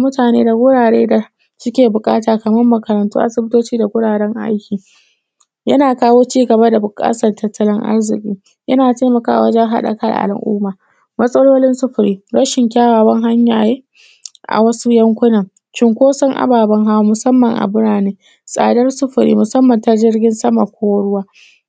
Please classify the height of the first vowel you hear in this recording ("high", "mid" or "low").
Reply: high